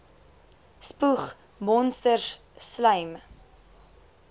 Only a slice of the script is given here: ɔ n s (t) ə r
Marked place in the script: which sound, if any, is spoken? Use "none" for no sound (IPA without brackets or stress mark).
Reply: t